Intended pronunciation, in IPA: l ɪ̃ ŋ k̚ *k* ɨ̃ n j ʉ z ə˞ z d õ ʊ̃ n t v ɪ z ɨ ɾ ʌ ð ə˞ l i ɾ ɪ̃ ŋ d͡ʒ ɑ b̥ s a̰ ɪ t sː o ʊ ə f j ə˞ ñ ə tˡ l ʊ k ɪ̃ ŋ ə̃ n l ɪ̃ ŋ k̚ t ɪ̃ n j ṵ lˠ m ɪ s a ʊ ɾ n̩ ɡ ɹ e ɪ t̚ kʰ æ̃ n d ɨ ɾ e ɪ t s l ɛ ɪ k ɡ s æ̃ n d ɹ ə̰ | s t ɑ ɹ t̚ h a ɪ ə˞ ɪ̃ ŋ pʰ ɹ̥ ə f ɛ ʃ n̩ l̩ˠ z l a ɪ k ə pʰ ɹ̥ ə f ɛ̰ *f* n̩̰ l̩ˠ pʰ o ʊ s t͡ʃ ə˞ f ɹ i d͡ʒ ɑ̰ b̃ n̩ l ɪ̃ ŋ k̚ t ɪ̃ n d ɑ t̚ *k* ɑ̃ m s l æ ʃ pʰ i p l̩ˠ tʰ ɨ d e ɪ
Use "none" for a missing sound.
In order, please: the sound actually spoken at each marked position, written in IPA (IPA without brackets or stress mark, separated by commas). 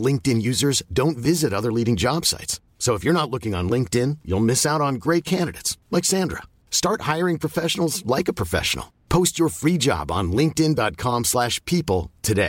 t, ʃ, kʰ